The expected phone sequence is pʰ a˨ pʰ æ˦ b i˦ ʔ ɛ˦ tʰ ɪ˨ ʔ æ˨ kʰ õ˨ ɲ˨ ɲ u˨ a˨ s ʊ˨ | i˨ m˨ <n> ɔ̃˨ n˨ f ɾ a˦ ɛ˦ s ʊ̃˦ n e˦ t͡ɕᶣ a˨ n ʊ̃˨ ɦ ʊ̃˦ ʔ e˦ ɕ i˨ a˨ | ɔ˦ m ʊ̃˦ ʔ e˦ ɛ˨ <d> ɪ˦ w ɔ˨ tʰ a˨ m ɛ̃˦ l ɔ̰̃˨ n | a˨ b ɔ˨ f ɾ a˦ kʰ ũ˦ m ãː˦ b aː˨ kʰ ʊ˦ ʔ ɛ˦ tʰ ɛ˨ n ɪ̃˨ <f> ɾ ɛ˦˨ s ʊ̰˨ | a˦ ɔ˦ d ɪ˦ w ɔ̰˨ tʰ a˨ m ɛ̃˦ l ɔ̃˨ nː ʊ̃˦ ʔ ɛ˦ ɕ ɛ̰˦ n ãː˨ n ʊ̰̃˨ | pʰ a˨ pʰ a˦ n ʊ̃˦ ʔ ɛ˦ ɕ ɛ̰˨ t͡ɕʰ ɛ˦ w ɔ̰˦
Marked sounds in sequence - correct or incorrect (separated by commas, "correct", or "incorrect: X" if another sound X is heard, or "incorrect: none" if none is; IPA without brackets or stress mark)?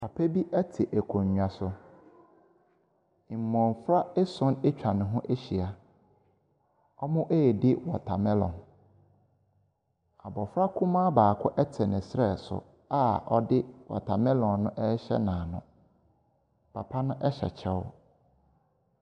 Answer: incorrect: m, correct, incorrect: s